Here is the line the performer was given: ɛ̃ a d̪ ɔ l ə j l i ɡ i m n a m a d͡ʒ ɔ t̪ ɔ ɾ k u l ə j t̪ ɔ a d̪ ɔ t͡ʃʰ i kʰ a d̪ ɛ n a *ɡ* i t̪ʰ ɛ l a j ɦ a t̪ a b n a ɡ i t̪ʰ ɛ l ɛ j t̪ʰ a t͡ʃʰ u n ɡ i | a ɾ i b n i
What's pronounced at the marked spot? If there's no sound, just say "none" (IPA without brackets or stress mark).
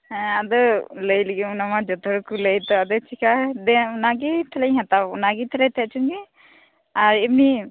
ɡ